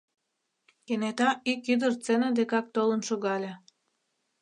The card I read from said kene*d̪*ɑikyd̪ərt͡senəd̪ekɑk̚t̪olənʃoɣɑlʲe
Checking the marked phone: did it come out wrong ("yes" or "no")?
yes